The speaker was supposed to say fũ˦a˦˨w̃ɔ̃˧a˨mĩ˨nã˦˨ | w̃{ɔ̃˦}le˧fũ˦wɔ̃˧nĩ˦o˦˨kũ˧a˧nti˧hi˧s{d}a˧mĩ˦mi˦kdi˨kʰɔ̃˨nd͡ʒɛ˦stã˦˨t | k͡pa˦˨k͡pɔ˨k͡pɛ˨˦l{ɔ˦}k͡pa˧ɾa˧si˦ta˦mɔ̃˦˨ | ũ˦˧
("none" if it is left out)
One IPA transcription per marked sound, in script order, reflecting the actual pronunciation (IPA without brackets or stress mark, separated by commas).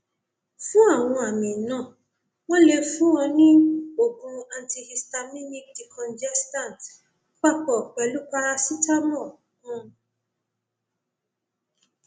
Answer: ɔ̃˦, t, u˦